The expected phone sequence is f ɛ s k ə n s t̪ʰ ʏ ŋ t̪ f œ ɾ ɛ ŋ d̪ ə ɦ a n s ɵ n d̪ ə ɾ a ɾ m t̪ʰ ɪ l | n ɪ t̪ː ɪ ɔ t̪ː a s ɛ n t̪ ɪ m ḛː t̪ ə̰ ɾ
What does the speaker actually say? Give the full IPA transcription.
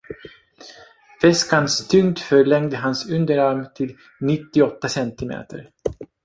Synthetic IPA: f ɛ s k a n s t̪ʰ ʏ ŋ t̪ f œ ɭ ɛ ŋ d̪ ə ɦ a n s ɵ n d̪ ə ɾ a ɾ m t̪ʰ ɪ l | n ɪ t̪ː ɪ ɔ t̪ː a s ɛ n t̪ ɪ m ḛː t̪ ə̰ ɾ

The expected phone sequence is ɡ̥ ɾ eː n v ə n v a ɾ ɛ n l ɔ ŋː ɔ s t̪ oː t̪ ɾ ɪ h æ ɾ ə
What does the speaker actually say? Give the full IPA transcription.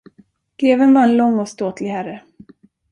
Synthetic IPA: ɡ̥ ɾ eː v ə n v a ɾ ɛ n l ɔ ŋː ɔ s t̪ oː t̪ l ɪ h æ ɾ ə

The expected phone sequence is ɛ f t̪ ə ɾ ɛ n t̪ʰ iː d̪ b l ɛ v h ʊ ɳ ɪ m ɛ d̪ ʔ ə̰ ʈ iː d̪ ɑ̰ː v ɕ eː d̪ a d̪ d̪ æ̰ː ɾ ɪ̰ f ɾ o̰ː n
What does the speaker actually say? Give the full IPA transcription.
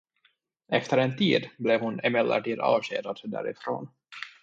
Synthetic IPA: ɛ f t̪ ə ɾ ɛ n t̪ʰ iː d̪ b l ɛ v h ʊ n ɪ m ɛ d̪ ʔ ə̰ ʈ iː d̪ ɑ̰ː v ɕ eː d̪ a d̪ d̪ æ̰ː ɾ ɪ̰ f ɾ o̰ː n

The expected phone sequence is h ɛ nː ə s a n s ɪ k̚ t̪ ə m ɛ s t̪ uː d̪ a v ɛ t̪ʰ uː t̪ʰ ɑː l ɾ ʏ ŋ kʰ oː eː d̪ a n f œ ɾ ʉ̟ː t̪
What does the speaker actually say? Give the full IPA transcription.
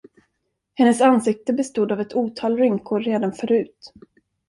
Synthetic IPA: h ɛ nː ə s a n s ɪ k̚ t̪ ə b ɛ s t̪ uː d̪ a v ɛ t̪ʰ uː t̪ʰ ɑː l ɾ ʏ ŋ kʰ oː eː d̪ a n f œ ɾ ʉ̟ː t̪

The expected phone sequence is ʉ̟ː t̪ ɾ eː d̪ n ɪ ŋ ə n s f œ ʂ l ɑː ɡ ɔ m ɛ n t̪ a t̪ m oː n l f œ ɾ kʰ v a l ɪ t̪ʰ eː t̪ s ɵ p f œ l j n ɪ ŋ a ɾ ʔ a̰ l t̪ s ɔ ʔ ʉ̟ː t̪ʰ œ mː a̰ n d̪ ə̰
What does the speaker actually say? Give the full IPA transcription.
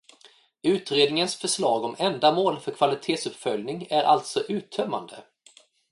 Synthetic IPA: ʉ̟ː t̪ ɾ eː d̪ n ɪ ŋ ə n s f œ ʂ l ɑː ɡ ɔ m ɛ n d̪ a m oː l f œ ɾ kʰ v a l ɪ t̪ʰ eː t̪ s ɵ p f œ l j n ɪ ŋ æ ɾ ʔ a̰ l t̪ s ɔ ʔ ʉ̟ː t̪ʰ œ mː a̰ n d̪ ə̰

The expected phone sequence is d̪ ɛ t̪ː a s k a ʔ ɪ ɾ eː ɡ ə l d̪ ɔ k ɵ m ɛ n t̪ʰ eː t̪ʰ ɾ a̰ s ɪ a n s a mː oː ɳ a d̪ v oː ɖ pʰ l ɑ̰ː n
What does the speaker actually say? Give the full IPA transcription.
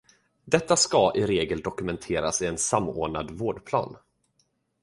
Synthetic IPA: d̪ ɛ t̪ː a s k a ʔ ɪ ɾ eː ɡ ə l d̪ ɔ k ɵ m ɛ n t̪ʰ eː ɾ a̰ s ɪ ɛ n s a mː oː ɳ a d̪ v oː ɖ pʰ l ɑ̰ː n

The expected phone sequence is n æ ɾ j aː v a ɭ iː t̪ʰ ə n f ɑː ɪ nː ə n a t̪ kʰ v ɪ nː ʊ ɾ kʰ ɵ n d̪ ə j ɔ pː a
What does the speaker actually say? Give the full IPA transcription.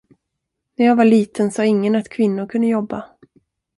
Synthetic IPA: n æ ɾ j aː v a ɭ iː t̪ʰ ə n s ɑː ɪ ŋː ə n a t̪ kʰ v ɪ nː ʊ ɾ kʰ ɵ n d̪ ə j ɔ bː a

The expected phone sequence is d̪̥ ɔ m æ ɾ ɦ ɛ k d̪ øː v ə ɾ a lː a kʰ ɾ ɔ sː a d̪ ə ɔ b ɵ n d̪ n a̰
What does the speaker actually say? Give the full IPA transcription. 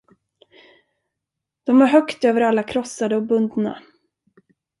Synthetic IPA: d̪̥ ɔ m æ ɾ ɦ œ k t̪ øː v ə ɾ a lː a kʰ ɾ ɔ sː a d̪ ə ɔ b ɵ n d̪ n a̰

